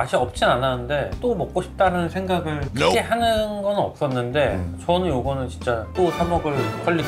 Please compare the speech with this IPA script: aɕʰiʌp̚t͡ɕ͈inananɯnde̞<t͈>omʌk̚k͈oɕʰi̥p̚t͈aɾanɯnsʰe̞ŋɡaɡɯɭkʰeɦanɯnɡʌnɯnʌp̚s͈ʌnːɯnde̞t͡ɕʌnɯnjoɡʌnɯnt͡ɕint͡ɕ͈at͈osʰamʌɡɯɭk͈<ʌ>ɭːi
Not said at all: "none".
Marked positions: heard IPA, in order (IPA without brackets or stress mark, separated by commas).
t͈, ʌ